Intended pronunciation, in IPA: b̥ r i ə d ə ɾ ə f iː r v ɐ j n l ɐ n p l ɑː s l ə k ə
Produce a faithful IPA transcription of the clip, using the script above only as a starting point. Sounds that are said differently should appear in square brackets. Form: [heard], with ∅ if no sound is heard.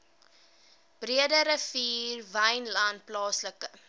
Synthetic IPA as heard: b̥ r i ə d ə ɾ ə f iː r v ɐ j n l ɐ n p l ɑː s l ə k ə